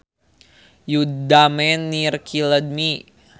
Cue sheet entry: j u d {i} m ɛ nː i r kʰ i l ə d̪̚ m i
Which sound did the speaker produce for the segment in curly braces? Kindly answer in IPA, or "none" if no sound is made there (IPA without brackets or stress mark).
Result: a